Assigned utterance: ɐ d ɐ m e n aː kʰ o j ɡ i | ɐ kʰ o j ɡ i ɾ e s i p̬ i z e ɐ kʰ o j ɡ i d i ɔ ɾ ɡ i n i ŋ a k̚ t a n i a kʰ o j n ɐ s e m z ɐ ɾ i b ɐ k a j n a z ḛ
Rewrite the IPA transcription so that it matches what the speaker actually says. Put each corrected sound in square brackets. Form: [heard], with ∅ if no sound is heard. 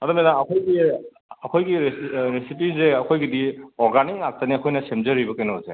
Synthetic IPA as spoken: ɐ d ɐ m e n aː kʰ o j ɡ i | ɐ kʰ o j ɡ i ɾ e s i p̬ i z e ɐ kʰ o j ɡ i d i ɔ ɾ ɡ [a] n i ŋ a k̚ t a n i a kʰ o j n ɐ s e m z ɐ ɾ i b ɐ k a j n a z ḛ